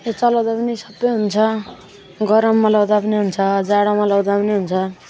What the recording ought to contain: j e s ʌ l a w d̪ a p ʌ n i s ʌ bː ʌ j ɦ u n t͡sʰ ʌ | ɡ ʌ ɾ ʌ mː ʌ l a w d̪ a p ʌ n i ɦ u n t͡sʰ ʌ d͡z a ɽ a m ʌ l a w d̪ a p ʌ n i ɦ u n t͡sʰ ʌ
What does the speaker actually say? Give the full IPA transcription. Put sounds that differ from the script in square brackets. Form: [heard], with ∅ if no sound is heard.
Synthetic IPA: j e [t͡s] ʌ l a w d̪ a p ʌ n i s ʌ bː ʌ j ɦ u n t͡sʰ ʌ | ɡ ʌ ɾ ʌ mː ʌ l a w d̪ a p ʌ n i ɦ u n t͡sʰ ʌ d͡z a ɽ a m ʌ l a w d̪ a p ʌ n i ɦ u n t͡sʰ ʌ